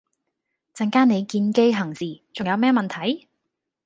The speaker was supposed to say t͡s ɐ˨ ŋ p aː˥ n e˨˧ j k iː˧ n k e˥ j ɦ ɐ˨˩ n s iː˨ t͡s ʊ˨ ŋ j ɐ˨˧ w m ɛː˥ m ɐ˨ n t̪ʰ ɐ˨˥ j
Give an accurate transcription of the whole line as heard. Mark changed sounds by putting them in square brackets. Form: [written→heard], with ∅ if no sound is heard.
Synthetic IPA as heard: t͡s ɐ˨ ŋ [p→k] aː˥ n e˨˧ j k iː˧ n k e˥ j ɦ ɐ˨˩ [n→ŋ] s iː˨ t͡s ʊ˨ ŋ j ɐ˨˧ w m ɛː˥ m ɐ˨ n t̪ʰ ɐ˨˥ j

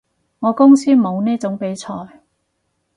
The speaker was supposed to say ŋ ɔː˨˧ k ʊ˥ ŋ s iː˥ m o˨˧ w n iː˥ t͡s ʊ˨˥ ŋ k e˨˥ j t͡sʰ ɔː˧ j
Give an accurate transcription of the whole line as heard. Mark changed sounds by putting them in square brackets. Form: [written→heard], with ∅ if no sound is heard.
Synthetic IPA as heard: ŋ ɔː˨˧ k ʊ˥ ŋ s iː˥ m o˨˧ w n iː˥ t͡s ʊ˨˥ ŋ [k→p] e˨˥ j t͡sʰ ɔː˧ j

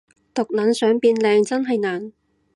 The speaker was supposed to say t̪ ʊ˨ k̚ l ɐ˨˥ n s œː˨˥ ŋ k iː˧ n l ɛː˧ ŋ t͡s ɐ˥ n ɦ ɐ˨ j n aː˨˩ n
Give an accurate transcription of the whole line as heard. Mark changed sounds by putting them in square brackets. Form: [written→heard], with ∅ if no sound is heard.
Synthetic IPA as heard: t̪ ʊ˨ k̚ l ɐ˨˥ n s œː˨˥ ŋ [k→p] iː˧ n l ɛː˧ ŋ t͡s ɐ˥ n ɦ ɐ˨ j n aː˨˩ n

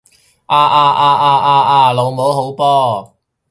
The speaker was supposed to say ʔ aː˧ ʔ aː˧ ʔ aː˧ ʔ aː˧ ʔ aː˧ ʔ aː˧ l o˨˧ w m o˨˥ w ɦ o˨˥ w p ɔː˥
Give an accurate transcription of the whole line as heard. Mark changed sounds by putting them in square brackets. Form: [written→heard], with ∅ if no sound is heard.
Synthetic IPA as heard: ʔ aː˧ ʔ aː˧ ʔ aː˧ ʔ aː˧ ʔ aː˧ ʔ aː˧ l o˨˧ w m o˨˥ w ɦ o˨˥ w p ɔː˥

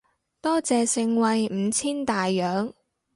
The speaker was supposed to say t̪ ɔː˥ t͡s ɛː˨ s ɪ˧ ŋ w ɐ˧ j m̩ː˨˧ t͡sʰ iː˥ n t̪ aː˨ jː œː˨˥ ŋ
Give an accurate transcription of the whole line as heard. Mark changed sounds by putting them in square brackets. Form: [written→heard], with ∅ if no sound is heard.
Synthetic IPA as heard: t̪ ɔː˥ t͡s ɛː˨ s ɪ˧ ŋ w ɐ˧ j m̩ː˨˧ t͡sʰ iː˥ n t̪ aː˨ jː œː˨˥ ŋ

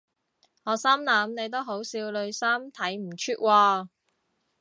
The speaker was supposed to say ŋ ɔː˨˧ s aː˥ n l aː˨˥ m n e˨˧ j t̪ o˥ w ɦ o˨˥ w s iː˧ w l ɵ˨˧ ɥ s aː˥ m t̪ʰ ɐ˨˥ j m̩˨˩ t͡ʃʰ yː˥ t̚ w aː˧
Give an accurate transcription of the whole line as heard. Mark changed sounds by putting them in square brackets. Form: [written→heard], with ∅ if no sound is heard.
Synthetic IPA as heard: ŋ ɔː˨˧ s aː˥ [n→m] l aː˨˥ m n e˨˧ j t̪ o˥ w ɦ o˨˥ w s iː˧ w l ɵ˨˧ ɥ s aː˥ m t̪ʰ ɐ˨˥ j m̩˨˩ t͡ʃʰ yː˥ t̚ w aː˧

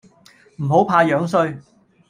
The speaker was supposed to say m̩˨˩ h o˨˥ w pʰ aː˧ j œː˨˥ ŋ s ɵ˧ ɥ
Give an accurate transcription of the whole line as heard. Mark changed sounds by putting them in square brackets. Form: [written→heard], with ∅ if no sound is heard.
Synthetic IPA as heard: m̩˨˩ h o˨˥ w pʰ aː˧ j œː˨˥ ŋ s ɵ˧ ɥ

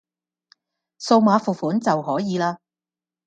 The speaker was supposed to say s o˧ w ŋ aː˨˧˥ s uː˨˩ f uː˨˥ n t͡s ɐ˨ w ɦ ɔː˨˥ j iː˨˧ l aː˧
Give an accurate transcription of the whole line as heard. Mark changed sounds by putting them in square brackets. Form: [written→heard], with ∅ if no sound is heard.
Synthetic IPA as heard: s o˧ w [ŋ→m] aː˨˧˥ [s→f] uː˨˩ f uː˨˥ n t͡s ɐ˨ w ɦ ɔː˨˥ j iː˨˧ l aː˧

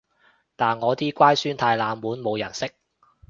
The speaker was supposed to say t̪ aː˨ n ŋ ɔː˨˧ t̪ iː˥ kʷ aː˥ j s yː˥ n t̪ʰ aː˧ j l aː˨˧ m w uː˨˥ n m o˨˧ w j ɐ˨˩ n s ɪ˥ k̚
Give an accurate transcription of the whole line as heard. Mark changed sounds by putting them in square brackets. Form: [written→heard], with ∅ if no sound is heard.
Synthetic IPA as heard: t̪ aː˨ n ŋ ɔː˨˧ t̪ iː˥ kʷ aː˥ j s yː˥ n t̪ʰ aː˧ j l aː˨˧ m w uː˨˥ n m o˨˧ w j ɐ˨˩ n s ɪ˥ k̚

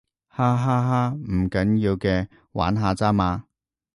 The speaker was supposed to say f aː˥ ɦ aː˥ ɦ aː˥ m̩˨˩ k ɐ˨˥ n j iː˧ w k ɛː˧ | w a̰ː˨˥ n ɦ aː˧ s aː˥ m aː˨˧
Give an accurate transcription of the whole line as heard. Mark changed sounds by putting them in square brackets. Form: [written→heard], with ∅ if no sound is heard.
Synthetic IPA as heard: [f→h] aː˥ ɦ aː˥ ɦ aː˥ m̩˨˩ k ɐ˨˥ n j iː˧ w k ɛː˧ | w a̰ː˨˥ n ɦ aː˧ [s→t͡s] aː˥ m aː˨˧

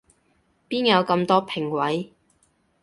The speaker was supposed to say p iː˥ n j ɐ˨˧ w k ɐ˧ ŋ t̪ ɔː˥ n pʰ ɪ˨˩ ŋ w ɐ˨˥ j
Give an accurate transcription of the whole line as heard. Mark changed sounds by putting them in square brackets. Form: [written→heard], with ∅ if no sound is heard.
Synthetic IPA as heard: p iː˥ n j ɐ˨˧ w k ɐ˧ [ŋ→m] t̪ ɔː˥ [n→∅] pʰ ɪ˨˩ ŋ w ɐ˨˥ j

